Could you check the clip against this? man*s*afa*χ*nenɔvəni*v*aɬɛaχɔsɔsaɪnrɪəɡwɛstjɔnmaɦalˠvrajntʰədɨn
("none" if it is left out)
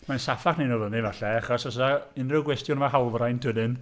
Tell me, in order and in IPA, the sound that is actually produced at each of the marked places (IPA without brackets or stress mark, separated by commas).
s, χ, v